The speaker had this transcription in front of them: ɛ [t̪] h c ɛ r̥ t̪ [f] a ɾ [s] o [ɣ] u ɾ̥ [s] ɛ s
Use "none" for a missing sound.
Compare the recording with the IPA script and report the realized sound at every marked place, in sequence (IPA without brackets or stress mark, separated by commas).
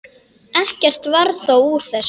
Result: none, v, θ, w, θ